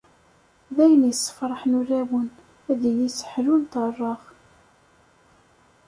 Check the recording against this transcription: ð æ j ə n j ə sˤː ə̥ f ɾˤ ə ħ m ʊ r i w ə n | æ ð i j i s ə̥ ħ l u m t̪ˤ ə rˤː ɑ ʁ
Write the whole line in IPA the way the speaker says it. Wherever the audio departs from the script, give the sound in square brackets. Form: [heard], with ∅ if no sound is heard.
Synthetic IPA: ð æ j ə n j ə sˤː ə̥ f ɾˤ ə ħ [n] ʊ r [æ] w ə n | æ ð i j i s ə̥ ħ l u [n] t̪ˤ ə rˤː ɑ ʁ